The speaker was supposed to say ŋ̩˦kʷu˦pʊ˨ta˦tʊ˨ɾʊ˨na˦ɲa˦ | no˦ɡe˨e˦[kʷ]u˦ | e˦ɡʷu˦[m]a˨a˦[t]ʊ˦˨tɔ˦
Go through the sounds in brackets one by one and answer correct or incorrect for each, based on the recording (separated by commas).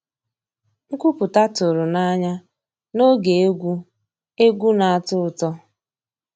incorrect, incorrect, correct